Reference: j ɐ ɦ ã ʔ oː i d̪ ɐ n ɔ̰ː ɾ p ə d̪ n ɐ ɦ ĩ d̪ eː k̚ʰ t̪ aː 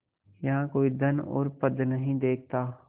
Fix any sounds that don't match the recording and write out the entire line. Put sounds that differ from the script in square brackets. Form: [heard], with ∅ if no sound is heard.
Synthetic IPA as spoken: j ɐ ɦ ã [k] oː i d̪ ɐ n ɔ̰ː ɾ p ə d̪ n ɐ ɦ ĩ d̪ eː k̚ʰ t̪ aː